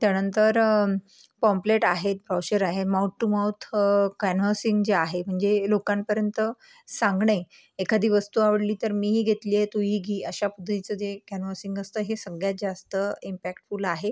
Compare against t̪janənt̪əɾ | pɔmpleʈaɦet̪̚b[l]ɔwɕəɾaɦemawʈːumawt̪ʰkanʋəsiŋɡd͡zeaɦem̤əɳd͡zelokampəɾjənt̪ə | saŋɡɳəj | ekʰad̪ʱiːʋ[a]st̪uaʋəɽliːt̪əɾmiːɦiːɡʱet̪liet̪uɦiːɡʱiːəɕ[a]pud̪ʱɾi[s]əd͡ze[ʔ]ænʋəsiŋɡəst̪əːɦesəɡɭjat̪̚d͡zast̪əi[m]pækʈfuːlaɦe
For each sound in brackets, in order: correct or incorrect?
incorrect, incorrect, correct, incorrect, incorrect, correct

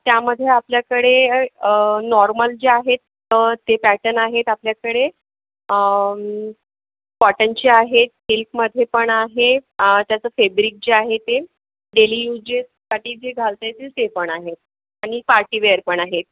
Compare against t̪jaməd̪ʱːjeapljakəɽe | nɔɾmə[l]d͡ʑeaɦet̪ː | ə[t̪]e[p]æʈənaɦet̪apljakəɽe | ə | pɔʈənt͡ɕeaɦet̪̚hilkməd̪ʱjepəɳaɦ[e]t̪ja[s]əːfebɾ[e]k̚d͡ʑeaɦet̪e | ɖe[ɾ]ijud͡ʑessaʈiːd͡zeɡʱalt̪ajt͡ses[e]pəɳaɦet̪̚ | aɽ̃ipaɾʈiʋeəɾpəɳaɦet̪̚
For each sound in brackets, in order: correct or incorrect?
correct, correct, correct, correct, incorrect, incorrect, incorrect, correct

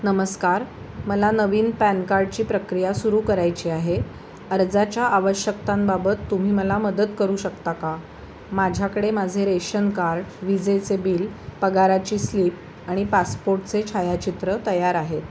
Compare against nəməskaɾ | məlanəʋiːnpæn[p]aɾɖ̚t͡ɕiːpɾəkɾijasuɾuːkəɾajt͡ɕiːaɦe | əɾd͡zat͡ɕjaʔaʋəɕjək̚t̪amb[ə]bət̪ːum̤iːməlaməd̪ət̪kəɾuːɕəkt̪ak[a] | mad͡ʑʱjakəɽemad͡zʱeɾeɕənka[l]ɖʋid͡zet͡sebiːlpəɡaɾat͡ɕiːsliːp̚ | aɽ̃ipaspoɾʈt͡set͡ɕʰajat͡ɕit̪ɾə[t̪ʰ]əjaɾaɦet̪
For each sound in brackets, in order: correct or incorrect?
incorrect, incorrect, correct, incorrect, incorrect

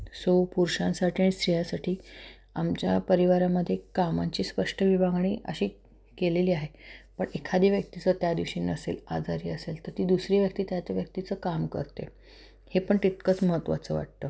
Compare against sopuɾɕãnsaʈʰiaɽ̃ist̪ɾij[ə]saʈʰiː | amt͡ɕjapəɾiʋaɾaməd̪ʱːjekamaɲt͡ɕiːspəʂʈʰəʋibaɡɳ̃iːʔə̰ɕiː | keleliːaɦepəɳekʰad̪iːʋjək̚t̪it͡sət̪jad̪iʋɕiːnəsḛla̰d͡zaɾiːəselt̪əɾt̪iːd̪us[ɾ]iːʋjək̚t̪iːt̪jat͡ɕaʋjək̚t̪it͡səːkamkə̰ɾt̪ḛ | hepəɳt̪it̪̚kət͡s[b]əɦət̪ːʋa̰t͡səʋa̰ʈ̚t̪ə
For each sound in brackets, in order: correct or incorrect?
incorrect, correct, incorrect

